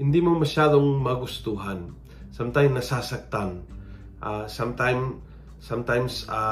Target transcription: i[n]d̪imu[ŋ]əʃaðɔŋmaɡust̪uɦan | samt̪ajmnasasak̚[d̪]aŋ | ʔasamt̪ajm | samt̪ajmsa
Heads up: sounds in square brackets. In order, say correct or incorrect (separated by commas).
correct, incorrect, incorrect